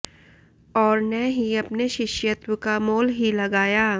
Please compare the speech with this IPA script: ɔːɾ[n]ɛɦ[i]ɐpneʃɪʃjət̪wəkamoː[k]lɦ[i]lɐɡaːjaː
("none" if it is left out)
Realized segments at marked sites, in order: n, i, none, i

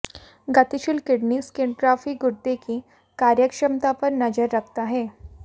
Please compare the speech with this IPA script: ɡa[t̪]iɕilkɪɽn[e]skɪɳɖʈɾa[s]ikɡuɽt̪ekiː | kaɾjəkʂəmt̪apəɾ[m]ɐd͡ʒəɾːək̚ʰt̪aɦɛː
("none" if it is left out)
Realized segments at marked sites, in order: t̪, i, f, n

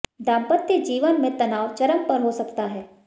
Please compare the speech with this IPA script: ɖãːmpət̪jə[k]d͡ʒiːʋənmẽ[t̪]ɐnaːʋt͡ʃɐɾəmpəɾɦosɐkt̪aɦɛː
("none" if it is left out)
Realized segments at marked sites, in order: none, t̪

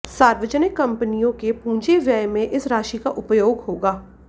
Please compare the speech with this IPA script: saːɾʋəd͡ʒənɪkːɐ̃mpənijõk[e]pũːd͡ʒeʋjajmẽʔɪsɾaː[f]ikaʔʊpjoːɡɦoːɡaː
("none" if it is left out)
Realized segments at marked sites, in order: e, ʃ

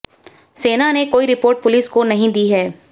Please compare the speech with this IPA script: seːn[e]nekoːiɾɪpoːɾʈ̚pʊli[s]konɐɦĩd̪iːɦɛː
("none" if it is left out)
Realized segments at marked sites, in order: a, s

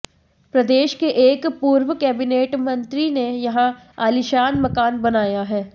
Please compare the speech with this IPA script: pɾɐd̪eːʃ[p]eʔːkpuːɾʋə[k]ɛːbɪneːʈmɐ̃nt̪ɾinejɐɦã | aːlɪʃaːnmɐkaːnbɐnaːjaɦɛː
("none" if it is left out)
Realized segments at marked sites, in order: k, k

